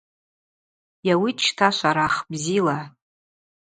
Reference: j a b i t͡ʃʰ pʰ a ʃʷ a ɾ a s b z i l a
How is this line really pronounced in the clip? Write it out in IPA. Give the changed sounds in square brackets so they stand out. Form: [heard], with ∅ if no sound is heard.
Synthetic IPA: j a [w] i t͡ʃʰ [tʰ] a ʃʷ a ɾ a [χ] b z i l a